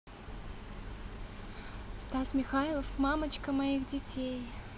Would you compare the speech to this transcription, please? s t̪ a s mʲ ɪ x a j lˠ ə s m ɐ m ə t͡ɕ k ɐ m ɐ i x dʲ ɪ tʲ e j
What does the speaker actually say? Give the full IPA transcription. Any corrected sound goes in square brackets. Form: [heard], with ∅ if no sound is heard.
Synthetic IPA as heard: s t̪ a s mʲ ɪ x a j lˠ ə [f] m [a] m ə t͡ɕ k [ə] m ɐ i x dʲ ɪ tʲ e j